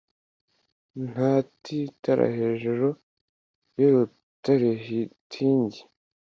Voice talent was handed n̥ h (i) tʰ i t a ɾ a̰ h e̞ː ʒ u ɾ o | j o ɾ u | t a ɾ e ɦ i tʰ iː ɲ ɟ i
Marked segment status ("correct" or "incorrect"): incorrect